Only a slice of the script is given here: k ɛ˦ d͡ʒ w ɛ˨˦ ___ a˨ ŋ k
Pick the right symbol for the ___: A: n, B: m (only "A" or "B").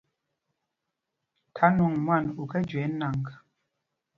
A